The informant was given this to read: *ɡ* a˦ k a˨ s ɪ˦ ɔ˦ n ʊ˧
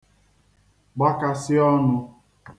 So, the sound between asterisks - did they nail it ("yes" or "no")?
no